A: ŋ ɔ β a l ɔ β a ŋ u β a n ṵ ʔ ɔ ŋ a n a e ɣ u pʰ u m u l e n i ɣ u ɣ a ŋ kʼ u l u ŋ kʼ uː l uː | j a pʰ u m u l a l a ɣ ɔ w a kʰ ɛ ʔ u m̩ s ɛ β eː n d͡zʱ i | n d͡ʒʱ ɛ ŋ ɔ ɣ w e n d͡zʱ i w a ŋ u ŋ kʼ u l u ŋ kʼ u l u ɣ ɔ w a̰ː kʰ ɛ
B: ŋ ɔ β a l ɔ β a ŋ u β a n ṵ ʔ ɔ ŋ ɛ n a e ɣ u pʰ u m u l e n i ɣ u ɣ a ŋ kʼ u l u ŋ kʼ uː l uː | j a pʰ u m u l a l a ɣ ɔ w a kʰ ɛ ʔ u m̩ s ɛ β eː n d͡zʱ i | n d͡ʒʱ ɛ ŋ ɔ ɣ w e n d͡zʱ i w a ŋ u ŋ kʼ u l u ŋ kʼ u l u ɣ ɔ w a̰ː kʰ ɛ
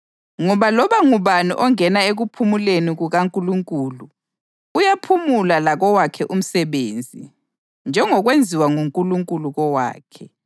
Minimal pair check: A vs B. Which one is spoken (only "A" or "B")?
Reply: B